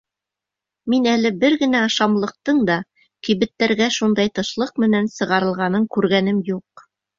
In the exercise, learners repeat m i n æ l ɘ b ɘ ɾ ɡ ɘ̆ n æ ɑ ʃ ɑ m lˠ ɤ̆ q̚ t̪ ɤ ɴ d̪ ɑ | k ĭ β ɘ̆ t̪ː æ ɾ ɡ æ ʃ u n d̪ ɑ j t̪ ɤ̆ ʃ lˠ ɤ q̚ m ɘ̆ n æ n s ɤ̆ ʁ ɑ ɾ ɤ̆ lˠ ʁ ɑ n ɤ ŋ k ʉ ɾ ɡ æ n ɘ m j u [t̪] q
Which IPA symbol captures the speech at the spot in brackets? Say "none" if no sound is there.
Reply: none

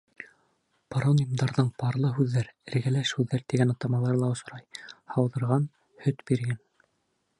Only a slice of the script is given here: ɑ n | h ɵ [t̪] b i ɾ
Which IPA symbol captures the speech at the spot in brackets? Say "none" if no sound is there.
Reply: t̪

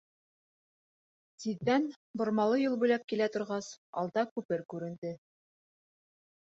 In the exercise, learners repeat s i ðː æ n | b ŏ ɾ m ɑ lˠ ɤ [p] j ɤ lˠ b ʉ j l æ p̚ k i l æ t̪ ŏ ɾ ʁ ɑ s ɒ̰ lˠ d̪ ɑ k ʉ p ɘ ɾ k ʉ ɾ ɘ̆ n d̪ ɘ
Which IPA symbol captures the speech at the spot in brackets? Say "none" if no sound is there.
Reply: none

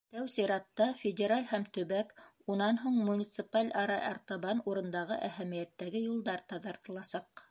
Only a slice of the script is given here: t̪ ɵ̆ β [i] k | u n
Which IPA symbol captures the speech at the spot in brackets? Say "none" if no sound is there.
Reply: æ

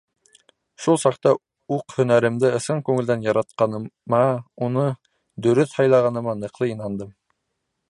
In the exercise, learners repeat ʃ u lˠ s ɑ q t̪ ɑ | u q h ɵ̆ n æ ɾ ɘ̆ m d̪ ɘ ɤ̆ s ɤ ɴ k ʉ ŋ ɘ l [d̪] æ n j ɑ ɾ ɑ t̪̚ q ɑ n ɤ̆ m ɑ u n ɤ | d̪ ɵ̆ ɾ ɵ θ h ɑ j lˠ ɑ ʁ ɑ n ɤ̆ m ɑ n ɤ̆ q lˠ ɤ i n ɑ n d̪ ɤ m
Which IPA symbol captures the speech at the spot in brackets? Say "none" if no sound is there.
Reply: d̪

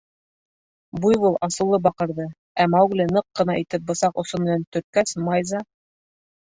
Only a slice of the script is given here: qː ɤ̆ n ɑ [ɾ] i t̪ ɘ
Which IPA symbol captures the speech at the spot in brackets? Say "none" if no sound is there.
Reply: none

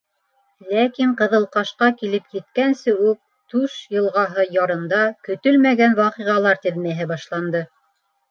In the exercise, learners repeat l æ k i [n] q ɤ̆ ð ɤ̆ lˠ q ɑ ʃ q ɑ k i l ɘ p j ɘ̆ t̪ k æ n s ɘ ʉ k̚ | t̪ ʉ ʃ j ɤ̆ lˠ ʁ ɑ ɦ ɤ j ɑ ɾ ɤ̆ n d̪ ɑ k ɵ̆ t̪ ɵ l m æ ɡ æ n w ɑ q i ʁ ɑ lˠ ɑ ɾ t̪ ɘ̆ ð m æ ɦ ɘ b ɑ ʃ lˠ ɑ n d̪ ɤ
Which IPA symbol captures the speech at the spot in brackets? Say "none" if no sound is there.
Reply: ɴ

